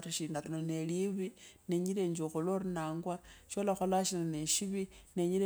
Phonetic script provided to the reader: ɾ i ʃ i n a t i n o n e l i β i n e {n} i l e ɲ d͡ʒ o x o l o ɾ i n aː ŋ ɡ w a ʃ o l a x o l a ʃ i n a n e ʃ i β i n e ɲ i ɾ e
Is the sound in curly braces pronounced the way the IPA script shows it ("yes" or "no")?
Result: no